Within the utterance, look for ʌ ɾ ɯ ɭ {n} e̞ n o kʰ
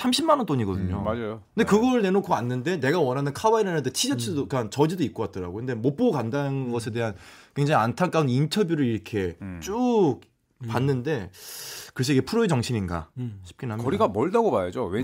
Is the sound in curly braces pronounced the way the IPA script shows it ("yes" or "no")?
yes